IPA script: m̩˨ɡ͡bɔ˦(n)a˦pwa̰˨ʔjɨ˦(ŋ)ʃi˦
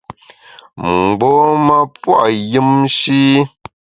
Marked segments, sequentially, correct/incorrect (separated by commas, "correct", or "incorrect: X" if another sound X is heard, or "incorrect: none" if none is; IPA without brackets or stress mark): incorrect: m, incorrect: m